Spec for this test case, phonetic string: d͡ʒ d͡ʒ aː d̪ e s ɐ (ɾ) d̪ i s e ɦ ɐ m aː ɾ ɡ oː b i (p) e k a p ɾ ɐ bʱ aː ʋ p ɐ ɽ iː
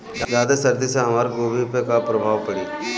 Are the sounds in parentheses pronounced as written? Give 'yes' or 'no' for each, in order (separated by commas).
yes, yes